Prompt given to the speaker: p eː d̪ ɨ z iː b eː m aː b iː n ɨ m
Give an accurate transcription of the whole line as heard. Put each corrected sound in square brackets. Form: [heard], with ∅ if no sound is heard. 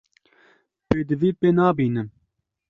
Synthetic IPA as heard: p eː d̪ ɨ [v] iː [p] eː [n] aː b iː n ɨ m